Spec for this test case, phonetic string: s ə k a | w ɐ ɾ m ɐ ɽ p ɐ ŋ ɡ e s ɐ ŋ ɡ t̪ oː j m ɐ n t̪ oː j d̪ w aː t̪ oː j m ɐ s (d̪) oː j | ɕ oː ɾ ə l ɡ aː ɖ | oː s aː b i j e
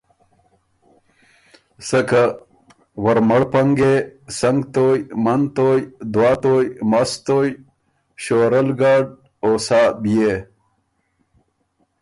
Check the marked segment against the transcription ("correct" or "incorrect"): incorrect